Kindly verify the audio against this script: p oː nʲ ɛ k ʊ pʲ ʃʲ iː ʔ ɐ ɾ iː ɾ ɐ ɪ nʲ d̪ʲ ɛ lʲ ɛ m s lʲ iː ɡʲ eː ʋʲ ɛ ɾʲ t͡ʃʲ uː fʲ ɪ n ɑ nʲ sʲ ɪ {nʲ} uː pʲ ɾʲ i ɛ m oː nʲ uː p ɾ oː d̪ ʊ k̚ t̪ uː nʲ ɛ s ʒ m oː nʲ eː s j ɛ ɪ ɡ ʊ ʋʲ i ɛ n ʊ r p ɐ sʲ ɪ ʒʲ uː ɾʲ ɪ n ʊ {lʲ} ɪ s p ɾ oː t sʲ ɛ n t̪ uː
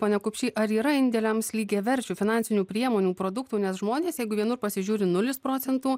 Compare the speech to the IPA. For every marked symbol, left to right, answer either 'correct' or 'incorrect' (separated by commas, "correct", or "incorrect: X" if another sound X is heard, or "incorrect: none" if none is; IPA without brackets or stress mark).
correct, correct